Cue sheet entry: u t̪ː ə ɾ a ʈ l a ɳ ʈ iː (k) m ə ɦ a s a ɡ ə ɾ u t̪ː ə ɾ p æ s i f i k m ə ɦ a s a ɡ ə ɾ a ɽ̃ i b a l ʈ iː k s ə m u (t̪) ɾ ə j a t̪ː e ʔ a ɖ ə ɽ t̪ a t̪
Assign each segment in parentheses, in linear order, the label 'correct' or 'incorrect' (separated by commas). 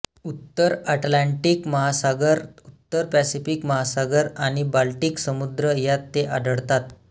correct, incorrect